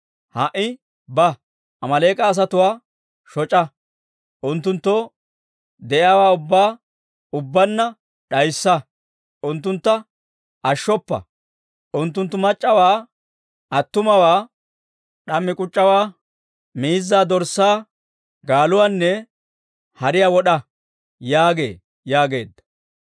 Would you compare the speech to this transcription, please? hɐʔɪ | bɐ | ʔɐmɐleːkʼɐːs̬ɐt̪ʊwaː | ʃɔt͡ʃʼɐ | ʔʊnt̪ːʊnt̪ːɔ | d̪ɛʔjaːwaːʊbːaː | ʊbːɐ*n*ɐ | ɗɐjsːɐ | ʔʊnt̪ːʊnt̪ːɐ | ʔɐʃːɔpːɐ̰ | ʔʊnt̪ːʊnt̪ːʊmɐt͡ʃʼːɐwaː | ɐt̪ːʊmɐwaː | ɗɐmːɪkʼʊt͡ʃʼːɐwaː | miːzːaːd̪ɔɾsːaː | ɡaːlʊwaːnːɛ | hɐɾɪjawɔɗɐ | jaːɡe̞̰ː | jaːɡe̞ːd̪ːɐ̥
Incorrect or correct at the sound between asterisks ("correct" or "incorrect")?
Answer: incorrect